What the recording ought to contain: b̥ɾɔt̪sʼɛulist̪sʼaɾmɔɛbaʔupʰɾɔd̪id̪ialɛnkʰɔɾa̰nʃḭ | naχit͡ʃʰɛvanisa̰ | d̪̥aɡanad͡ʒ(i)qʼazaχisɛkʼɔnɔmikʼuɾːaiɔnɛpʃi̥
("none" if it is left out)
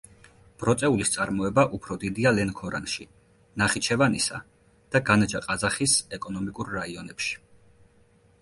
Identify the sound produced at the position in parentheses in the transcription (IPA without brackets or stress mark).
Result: a